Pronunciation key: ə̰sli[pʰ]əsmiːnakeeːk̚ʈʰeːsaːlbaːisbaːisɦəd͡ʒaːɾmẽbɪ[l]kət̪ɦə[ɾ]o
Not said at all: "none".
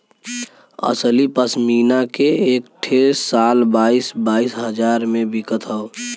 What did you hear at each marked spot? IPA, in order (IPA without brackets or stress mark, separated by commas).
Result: p, none, none